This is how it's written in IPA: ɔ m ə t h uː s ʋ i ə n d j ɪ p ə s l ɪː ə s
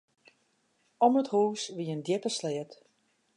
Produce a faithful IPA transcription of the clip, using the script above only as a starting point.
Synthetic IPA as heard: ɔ m ə t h uː s ʋ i ə n d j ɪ p ə s l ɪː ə t